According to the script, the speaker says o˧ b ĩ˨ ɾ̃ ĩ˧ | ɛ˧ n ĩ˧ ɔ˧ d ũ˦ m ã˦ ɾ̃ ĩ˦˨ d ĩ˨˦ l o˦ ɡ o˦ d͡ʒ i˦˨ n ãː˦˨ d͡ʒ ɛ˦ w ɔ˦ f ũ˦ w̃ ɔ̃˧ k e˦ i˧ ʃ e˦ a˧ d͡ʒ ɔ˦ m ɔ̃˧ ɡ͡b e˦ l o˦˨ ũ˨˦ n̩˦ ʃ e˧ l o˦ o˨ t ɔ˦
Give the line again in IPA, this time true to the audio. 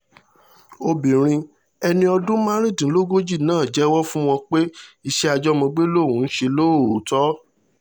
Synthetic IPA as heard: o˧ b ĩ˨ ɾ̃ ĩ˧ | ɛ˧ n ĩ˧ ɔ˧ d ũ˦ m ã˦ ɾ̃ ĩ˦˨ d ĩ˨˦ l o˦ ɡ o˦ d͡ʒ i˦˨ n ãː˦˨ d͡ʒ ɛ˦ w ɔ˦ f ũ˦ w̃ ɔ̃˧ k͡p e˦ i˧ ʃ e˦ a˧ d͡ʒ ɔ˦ m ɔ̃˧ ɡ͡b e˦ l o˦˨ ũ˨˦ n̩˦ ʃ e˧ l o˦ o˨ t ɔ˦